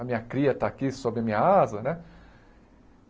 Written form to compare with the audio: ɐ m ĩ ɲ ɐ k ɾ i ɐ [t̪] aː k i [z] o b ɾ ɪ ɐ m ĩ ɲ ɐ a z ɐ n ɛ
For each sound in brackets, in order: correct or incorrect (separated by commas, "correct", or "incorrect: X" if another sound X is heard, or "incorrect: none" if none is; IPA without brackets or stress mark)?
correct, incorrect: s